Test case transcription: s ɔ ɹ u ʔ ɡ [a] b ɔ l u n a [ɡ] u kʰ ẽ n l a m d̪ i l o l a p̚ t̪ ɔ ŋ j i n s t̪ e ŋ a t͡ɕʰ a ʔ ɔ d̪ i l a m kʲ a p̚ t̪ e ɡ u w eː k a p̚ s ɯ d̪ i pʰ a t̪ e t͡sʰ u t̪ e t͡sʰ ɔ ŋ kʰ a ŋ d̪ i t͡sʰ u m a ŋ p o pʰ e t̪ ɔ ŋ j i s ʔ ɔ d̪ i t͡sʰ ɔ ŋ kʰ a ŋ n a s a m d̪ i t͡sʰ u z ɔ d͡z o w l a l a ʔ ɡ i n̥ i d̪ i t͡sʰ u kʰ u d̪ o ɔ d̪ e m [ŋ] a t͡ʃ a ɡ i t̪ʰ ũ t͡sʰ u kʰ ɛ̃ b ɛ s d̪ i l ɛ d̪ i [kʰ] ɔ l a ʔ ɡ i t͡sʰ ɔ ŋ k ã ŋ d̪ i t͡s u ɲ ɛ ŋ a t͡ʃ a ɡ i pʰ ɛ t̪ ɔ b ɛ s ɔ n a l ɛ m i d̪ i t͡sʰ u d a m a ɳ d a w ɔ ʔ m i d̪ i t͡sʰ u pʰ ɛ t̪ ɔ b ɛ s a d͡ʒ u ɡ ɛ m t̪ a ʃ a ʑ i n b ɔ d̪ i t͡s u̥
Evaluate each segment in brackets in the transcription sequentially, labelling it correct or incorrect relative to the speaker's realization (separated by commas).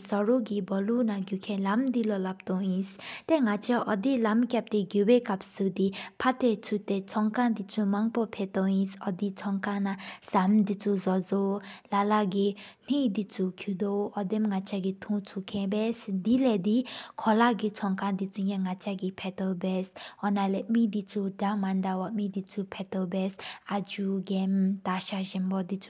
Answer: incorrect, correct, correct, correct